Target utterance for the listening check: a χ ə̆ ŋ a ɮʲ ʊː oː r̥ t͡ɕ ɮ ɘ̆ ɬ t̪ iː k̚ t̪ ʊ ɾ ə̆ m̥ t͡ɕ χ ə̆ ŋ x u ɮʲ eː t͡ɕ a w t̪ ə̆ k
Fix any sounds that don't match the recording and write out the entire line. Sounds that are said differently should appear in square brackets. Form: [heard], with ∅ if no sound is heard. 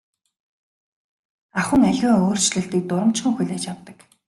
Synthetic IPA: a χ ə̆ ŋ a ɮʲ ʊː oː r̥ t͡ɕ ɮ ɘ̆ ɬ t̪ iː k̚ t̪ ʊ ɾ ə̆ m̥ t͡ɕ χ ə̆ ŋ x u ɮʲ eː t͡ɕ a w t̪ ə̆ k